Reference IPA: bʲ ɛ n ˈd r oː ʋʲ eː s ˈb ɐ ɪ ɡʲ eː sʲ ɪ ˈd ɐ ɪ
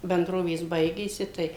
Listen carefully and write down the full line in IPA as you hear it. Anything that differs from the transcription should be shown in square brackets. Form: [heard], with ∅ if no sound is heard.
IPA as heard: bʲ ɛ n ˈd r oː ʋʲ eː s ˈb ɐ ɪ ɡʲ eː sʲ ɪ [ˈt] ɐ ɪ